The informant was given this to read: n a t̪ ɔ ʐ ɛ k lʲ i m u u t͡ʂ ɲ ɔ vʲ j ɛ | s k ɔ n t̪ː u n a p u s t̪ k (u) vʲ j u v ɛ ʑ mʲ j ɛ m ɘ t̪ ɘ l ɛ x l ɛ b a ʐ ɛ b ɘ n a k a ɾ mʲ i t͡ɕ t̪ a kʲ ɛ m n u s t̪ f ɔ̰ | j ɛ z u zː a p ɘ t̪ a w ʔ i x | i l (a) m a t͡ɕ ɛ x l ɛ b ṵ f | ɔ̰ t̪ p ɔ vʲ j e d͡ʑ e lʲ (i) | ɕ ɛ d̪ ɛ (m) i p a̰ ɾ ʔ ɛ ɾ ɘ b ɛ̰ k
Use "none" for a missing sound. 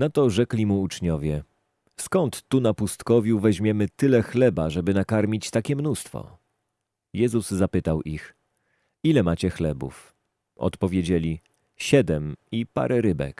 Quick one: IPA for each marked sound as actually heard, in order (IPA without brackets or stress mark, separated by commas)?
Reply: ɔ, ɛ, i, m